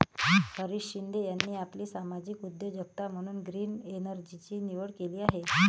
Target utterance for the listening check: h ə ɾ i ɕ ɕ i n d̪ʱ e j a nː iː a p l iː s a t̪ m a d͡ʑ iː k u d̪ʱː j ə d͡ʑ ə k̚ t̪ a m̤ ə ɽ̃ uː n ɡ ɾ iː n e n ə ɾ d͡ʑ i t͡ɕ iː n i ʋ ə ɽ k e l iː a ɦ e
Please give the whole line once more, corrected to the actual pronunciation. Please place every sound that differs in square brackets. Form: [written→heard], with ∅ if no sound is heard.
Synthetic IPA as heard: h ə ɾ i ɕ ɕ i n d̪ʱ e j a nː iː a p l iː s a [t̪→∅] m a d͡ʑ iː k u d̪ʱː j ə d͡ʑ ə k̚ t̪ a m̤ ə ɽ̃ uː n ɡ ɾ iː n e n ə ɾ d͡ʑ i t͡ɕ iː n i ʋ ə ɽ k e l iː a ɦ e